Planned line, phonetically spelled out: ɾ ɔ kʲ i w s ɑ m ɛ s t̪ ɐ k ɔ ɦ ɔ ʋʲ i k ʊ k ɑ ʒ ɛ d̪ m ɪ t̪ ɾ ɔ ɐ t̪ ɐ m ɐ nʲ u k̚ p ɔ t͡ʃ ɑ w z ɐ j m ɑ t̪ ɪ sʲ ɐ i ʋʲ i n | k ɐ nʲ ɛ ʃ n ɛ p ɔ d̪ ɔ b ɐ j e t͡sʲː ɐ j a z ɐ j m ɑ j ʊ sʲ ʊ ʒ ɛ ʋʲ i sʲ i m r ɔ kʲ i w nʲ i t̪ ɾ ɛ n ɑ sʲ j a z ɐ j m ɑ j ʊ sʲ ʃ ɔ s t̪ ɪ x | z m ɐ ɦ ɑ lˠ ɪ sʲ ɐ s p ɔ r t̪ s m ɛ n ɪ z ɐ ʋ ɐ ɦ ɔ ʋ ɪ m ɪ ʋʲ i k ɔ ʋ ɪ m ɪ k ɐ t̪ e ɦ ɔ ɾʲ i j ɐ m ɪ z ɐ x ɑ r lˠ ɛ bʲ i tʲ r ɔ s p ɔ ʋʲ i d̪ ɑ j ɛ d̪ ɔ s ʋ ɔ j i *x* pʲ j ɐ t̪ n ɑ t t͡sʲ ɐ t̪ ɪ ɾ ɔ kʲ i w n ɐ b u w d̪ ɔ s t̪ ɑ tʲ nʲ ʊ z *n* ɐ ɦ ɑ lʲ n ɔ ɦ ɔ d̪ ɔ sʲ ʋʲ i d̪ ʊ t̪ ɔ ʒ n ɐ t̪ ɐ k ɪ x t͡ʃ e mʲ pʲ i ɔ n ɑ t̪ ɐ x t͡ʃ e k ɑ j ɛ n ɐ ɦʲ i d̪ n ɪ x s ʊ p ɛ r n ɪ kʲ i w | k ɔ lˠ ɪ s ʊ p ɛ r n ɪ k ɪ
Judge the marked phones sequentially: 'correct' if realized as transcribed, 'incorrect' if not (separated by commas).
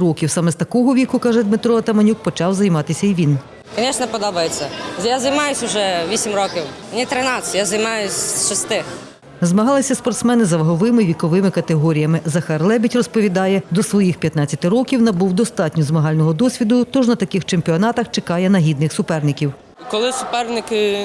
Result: correct, incorrect